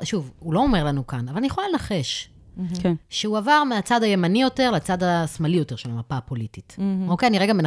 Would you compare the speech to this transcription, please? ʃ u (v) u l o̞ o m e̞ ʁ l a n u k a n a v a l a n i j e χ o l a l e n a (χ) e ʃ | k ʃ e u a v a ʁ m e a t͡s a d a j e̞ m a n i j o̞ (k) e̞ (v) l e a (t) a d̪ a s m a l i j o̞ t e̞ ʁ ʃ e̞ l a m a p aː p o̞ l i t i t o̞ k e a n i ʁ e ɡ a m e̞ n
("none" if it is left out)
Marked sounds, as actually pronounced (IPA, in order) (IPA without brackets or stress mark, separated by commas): v, χ, t, ʁ, t͡s